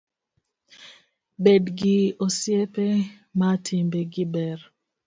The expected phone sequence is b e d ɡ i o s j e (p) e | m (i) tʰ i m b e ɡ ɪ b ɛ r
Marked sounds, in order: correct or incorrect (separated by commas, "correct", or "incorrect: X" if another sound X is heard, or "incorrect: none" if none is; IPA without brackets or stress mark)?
correct, incorrect: a